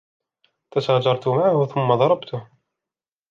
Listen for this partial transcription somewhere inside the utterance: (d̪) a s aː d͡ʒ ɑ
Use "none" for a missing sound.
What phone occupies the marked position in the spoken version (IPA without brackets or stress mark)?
t̪